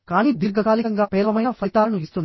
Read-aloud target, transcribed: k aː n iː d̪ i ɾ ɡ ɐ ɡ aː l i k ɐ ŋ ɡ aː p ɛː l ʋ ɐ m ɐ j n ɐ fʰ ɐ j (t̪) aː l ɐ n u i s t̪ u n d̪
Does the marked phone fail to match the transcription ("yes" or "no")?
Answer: no